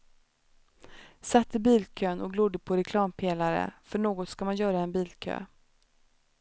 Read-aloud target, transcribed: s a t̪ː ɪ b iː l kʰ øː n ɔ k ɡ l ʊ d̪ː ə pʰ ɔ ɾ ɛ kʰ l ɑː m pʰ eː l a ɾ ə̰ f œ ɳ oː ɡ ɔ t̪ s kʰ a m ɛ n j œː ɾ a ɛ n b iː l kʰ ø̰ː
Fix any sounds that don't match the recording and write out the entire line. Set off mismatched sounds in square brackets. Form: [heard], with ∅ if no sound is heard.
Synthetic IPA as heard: s a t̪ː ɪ b iː l kʰ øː n ɔ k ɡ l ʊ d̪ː ə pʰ ɔ ɾ ɛ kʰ l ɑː m pʰ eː l a ɾ ə̰ f œ ɳ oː ɡ ɔ t̪ s [k] a m [a] n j œː ɾ a ɛ n b iː l kʰ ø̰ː